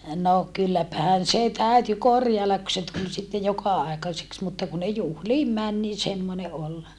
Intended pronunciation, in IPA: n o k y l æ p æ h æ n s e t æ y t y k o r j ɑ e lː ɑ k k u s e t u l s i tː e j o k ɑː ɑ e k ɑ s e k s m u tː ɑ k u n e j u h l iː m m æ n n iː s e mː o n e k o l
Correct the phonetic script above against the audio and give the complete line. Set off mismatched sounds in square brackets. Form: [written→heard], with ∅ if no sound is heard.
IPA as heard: n o k y [l→lː] æ p æ h æ n s e t æ y t y k o r j ɑ e lː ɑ k k u s e t u l s i tː e j o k [ɑː→ɑ] ɑ e k ɑ s e k s m u tː ɑ k u n e j u h l iː m m æ n n iː s e mː o n e [k→ʔ] o l